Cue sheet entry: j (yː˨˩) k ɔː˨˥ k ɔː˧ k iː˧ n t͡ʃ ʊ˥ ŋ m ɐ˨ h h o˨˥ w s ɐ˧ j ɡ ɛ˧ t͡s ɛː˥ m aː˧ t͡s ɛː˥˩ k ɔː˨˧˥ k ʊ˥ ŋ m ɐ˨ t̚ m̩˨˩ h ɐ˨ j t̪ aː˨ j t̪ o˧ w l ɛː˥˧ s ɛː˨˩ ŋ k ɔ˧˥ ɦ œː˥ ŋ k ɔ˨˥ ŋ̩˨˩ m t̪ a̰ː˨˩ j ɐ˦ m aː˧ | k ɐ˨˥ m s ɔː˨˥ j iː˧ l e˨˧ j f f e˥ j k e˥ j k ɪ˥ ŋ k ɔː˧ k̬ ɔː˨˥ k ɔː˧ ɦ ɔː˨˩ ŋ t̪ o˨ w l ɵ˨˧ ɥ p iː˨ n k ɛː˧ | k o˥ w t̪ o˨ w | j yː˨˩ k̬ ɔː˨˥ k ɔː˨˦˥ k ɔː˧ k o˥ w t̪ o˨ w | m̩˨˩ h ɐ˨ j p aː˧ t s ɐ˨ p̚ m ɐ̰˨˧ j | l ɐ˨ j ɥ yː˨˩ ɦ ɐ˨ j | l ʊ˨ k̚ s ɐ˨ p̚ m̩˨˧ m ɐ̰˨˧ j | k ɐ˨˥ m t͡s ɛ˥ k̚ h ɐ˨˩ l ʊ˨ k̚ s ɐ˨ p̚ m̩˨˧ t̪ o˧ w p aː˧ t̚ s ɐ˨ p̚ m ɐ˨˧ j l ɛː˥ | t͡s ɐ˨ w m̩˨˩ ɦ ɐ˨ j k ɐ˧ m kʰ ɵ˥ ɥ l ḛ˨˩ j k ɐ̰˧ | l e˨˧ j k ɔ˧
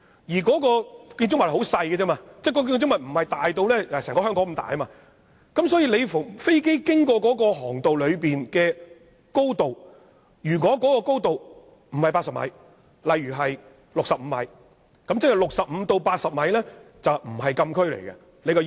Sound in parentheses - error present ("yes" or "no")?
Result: yes